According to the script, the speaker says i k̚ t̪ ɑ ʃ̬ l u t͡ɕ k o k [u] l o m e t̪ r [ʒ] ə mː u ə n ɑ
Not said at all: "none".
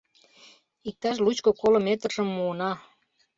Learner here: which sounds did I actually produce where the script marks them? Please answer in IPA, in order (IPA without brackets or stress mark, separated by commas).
o, ʒ